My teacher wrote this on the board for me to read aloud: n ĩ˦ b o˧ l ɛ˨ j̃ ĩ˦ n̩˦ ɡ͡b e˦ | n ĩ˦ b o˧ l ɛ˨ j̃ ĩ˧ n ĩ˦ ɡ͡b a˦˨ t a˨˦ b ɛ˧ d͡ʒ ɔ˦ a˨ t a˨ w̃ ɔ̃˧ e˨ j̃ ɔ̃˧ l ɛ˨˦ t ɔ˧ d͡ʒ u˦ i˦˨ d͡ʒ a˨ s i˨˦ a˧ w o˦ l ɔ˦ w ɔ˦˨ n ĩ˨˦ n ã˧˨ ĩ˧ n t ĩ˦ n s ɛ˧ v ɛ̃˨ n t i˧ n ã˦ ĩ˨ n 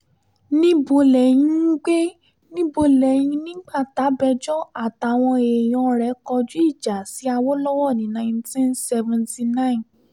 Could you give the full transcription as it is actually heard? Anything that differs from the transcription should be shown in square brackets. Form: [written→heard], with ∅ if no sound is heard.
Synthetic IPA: n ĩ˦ b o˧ l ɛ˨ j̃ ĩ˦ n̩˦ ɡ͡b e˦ | n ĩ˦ b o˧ l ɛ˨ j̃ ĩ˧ n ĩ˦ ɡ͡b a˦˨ t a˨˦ b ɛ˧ d͡ʒ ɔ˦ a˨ t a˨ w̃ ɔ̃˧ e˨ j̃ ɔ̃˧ [l→ɾ] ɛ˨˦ [t→k] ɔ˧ d͡ʒ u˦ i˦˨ d͡ʒ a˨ s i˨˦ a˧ w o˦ l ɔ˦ w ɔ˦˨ n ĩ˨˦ n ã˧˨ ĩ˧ n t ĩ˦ n s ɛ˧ v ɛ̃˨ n t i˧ n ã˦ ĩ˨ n